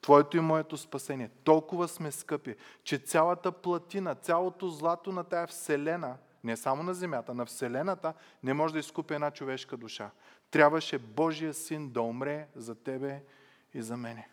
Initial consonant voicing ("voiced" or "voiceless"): voiceless